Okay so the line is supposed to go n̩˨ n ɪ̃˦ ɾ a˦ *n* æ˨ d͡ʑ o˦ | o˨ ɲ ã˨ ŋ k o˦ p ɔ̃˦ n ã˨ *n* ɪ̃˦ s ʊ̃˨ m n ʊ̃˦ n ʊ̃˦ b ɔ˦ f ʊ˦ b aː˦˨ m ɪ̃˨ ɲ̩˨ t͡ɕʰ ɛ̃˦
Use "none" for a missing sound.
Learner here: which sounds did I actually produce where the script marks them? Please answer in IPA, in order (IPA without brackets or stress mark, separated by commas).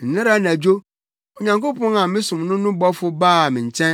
n, m